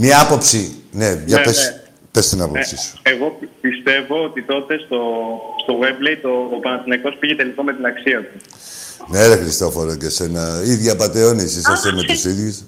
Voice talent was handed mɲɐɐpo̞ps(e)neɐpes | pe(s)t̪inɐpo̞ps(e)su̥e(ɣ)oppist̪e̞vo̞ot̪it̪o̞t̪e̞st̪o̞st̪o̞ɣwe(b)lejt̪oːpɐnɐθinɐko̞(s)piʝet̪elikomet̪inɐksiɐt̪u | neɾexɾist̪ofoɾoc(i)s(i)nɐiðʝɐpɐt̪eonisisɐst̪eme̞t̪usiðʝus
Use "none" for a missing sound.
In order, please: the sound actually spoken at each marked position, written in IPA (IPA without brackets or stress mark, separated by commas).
i, s, i, ɣ, b, s, e, e